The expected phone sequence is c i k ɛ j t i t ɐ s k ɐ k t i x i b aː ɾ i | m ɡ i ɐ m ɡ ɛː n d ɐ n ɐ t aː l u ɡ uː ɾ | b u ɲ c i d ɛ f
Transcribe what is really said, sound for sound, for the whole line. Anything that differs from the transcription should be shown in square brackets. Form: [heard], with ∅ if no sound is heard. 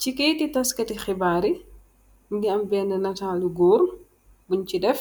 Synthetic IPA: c i k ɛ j t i t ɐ s k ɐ [∅] t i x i b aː ɾ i | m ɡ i ɐ m [b] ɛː n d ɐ n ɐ t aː l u ɡ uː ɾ | b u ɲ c i d ɛ f